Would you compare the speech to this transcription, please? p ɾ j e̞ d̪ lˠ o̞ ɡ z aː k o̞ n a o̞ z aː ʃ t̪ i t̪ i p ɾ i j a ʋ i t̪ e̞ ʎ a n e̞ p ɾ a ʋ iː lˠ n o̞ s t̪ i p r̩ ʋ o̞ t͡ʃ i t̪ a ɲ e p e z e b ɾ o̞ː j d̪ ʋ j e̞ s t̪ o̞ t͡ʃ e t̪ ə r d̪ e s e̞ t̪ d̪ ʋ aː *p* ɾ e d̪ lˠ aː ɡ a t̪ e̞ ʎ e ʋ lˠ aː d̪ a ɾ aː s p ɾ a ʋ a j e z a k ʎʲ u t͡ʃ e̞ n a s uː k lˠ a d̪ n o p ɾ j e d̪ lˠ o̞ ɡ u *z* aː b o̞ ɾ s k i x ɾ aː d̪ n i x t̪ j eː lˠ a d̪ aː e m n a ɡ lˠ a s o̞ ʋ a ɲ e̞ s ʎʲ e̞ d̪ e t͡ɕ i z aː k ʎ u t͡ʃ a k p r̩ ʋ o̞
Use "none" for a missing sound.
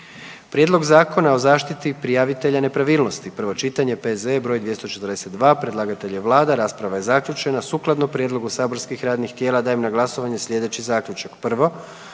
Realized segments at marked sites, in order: p, s

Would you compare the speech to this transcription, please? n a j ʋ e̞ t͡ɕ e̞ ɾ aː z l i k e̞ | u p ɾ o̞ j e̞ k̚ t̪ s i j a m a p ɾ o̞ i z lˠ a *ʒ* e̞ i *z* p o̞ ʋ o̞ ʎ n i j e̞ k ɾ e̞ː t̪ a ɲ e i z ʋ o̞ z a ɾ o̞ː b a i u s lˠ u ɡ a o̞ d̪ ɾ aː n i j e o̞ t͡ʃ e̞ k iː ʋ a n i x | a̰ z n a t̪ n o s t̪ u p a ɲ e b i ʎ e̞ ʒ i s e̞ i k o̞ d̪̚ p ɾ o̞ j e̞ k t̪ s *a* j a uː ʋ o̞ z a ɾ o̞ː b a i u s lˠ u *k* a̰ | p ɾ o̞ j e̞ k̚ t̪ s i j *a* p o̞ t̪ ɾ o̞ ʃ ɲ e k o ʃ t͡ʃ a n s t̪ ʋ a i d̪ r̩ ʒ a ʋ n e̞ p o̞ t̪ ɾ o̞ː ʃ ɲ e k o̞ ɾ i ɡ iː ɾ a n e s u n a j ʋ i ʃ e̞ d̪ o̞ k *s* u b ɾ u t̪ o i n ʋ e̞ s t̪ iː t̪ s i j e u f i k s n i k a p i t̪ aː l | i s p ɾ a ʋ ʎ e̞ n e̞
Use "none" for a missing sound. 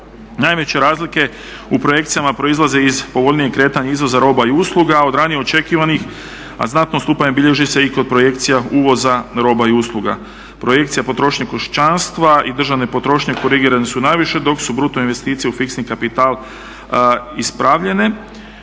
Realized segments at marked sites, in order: z, z, i, ɡ, a, s

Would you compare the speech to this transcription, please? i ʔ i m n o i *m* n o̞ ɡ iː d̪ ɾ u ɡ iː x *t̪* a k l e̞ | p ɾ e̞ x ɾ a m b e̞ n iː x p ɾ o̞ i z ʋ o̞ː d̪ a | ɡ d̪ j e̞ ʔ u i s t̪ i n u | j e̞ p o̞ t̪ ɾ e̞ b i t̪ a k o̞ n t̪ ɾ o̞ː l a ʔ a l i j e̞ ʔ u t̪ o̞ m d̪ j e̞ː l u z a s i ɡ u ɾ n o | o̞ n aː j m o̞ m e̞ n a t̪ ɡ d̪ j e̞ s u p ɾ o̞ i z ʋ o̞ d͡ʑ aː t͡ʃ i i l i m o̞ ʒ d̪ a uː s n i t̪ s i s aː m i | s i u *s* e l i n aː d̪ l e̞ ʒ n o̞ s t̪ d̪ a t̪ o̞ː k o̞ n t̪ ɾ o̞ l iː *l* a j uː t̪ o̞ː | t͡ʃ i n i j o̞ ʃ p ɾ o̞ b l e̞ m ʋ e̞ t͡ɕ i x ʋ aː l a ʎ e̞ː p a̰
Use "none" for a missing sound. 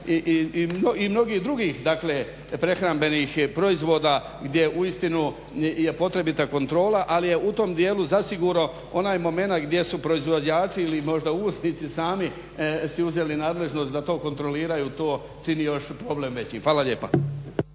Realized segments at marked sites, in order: m, d̪, z, ɾ

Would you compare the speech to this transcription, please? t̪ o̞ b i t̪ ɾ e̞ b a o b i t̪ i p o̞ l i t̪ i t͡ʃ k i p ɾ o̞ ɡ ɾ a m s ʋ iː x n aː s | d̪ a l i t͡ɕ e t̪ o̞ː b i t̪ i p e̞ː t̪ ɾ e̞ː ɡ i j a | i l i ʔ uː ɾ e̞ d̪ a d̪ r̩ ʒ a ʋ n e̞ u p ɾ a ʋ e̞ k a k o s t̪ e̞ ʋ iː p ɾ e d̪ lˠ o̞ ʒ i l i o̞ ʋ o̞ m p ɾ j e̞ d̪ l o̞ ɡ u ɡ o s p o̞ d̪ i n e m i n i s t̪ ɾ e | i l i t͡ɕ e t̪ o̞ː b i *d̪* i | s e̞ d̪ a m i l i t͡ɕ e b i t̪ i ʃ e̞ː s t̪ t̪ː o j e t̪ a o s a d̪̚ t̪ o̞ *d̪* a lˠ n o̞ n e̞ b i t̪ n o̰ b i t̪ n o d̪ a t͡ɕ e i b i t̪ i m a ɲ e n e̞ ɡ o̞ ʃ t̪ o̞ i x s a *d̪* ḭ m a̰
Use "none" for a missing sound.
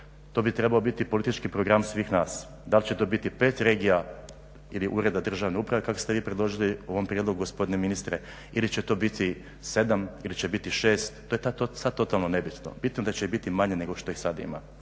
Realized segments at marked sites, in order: t̪, t̪, d̪

